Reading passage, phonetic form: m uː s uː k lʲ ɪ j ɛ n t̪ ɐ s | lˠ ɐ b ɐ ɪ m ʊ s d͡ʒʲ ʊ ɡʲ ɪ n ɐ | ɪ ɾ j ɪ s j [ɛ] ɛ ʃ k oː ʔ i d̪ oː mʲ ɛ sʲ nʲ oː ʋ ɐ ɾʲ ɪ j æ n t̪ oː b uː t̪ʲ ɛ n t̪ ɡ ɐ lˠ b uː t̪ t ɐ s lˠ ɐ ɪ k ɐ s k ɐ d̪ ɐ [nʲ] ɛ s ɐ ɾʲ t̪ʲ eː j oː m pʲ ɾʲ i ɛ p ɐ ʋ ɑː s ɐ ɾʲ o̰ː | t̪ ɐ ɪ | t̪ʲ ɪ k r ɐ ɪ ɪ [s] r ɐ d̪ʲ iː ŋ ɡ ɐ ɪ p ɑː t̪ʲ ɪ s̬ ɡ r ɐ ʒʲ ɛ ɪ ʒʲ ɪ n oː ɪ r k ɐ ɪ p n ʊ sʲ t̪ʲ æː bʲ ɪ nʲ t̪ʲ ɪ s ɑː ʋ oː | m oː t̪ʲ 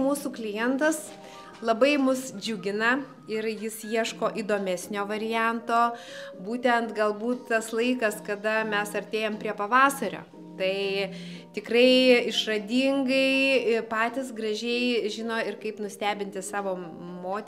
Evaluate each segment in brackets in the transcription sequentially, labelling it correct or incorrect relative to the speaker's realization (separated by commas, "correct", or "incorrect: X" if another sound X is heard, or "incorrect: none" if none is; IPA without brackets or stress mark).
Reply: incorrect: i, incorrect: mʲ, incorrect: ʃ